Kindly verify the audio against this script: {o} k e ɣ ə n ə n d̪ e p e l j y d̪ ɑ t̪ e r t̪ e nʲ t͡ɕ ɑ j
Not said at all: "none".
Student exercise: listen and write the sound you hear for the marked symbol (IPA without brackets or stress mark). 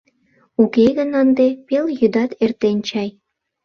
u